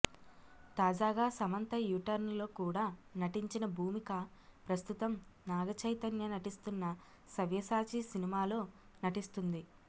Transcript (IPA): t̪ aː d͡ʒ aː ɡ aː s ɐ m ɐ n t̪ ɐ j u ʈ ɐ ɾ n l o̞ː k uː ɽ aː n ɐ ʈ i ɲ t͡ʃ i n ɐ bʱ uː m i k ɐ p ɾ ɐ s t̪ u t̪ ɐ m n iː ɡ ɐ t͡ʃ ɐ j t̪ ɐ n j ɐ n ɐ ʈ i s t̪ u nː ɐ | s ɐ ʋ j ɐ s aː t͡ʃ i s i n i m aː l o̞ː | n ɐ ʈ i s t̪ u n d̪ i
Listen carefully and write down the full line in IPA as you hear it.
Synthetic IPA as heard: t̪ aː d͡ʒ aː ɡ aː s ɐ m ɐ n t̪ ɐ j u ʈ ɐ ɾ n l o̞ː k uː ɽ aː n ɐ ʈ i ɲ t͡ʃ i n ɐ bʱ uː m i k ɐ p ɾ ɐ s t̪ u t̪ ɐ m n aː ɡ ɐ t͡ʃ ɐ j t̪ ɐ n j ɐ n ɐ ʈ i s t̪ u nː ɐ | s ɐ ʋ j ɐ s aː t͡ʃ i s i n i m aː l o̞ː | n ɐ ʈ i s t̪ u n d̪ i